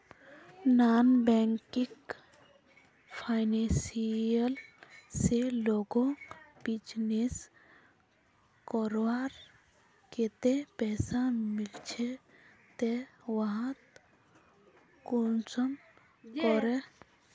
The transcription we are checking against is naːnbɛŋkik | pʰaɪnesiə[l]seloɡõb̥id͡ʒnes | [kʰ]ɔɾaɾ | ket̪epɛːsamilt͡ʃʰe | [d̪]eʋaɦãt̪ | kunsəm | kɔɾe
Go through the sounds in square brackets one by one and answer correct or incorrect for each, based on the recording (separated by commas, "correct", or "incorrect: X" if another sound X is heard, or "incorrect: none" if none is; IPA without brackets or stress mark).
correct, incorrect: k, incorrect: t̪